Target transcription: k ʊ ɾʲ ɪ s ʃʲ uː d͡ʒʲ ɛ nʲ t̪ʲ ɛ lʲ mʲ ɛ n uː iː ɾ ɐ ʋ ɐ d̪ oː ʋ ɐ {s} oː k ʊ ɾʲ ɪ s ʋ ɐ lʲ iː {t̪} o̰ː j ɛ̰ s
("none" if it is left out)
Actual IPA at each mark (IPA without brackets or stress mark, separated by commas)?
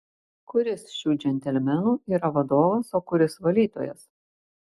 s, t̪